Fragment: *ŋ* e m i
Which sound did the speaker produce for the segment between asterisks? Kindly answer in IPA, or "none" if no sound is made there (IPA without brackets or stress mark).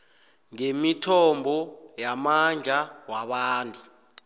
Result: ŋ